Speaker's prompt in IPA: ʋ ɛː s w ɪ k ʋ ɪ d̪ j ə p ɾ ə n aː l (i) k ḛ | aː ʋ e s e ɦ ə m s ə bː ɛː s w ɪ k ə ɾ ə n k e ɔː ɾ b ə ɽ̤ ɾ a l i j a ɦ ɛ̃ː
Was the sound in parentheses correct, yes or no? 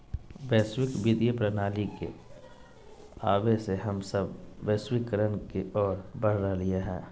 yes